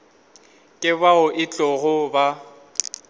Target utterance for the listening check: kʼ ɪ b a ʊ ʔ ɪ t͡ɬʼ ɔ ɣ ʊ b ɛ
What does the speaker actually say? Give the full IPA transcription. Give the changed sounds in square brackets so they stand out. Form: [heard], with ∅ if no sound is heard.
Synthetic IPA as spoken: kʼ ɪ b a ʊ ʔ ɪ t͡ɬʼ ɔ ɣ ʊ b [a]